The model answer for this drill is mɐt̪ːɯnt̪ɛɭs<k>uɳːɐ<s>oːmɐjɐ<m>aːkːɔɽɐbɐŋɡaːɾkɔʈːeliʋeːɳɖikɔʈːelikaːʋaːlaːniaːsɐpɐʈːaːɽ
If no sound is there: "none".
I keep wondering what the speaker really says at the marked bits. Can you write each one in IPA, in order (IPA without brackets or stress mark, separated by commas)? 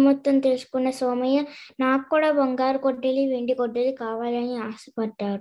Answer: k, s, n